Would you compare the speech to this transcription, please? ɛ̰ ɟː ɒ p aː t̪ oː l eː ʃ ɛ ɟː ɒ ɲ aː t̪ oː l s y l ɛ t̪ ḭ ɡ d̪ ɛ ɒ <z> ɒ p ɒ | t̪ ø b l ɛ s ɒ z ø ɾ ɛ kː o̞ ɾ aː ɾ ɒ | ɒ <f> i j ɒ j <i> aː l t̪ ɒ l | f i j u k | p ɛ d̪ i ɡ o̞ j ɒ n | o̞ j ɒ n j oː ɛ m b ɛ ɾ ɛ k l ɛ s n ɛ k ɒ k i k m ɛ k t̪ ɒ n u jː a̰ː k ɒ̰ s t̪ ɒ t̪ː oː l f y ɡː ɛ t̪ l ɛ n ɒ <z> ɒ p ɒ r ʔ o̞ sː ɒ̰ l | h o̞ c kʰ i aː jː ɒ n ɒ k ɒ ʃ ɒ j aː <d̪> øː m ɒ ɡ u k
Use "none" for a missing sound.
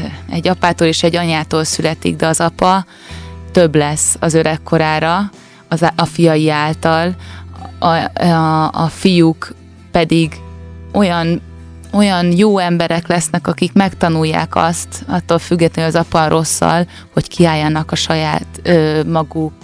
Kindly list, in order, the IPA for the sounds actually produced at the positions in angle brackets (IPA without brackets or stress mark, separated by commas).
z, f, i, z, t̪